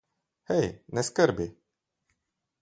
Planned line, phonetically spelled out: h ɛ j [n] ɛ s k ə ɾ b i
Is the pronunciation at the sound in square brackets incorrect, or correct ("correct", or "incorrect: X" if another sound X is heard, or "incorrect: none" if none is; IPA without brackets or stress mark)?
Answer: correct